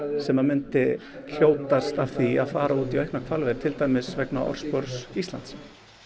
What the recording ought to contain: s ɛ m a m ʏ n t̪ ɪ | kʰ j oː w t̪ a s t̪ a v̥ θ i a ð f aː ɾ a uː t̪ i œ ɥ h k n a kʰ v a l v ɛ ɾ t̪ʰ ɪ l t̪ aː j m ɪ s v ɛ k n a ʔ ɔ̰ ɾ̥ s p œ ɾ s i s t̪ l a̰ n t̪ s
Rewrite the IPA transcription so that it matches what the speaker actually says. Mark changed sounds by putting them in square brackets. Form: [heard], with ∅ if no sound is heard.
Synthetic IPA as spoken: s ɛ m a m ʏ n t̪ ɪ | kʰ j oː w t̪ a s t̪ a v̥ θ i a ð f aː ɾ a uː t̪ i œ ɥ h k n a kʰ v a l v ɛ ɾ t̪ʰ ɪ l t̪ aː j m ɪ s v ɛ k n a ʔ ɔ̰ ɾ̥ s p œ ɾ s i s t̪ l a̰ n t̪ s